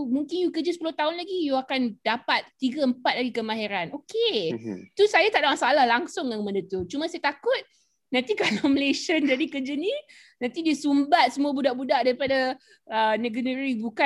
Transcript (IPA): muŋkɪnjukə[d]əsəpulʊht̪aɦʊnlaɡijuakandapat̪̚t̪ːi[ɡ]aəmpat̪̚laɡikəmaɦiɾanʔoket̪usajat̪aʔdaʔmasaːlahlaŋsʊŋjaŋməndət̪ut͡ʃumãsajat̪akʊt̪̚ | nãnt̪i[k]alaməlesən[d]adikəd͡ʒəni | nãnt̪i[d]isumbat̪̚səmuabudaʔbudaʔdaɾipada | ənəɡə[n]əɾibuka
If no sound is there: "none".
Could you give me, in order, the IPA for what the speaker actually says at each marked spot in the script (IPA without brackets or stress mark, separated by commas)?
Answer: d͡ʒ, ɡ, k, d͡ʒ, d, n